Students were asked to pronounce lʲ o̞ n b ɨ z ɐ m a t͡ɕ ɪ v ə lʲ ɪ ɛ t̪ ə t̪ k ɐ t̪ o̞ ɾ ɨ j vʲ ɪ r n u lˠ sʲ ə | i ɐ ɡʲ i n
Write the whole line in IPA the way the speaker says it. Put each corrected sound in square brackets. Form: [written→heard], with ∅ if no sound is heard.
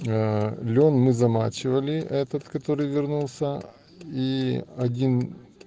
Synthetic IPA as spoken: lʲ o̞ n [b→m] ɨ z ɐ m a t͡ɕ ɪ v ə lʲ ɪ ɛ t̪ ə t̪ k ɐ t̪ o̞ ɾ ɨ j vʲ ɪ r n u lˠ sʲ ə | i ɐ [ɡʲ→dʲ] i n